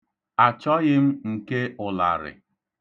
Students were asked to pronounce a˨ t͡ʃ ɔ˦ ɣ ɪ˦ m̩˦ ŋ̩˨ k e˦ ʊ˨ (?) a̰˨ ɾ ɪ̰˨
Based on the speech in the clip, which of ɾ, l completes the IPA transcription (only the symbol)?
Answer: l